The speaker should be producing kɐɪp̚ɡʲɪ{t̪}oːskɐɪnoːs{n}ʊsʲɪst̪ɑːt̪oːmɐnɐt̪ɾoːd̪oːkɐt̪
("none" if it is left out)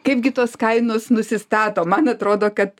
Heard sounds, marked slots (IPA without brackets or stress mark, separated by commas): t̪, n